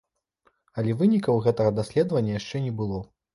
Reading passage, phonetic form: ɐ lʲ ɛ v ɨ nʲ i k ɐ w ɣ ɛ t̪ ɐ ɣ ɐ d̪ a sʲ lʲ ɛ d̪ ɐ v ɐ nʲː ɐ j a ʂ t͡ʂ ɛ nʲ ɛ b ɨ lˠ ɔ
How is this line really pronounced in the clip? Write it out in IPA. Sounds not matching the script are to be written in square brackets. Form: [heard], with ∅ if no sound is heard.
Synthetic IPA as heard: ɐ lʲ ɛ v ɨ nʲ i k ɐ w ɣ ɛ t̪ ɐ ɣ ɐ d̪ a sʲ lʲ ɛ d̪ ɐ v ɐ nʲː ɐ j a ʂ t͡ʂ ɛ nʲ ɛ b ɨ lˠ ɔ